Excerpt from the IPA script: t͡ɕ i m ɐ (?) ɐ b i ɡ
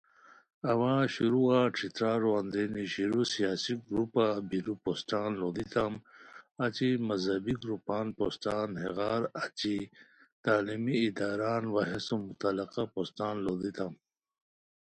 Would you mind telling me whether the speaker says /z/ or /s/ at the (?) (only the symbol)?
z